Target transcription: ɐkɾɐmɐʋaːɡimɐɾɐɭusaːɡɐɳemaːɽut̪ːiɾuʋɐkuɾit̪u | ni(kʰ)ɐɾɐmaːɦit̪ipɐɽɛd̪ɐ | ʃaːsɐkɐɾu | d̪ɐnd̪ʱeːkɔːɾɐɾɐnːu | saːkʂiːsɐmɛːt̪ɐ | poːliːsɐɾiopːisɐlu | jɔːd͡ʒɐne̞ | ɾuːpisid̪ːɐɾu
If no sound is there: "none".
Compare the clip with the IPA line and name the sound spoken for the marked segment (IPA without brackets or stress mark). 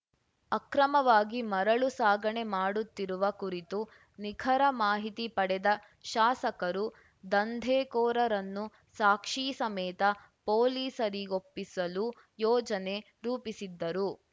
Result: kʰ